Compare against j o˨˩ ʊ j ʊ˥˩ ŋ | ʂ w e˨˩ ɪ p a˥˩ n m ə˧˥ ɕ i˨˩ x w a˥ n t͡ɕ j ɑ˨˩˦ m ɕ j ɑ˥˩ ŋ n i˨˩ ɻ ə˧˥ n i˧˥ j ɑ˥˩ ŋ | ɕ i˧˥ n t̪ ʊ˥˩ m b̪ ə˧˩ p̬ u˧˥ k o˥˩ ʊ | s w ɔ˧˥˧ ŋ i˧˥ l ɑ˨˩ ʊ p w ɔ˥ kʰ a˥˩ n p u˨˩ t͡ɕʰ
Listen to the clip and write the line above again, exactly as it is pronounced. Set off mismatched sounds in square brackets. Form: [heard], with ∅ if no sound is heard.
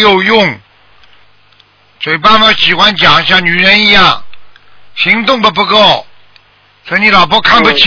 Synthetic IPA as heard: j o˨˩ ʊ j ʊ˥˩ ŋ | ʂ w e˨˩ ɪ p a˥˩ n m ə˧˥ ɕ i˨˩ x w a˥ n t͡ɕ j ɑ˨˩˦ [ŋ] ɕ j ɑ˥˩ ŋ n [y˨˩] ɻ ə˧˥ n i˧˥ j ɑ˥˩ ŋ | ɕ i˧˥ [ŋ] t̪ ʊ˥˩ [ŋ] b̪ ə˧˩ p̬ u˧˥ k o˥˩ ʊ | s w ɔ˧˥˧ [n] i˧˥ l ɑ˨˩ ʊ p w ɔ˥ kʰ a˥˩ n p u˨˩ t͡ɕʰ